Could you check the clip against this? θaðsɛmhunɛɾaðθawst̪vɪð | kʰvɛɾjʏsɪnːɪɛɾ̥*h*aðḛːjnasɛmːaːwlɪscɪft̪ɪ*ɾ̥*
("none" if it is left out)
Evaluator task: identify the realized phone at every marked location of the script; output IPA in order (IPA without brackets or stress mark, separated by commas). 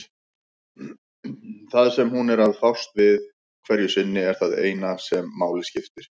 θ, ɾ̥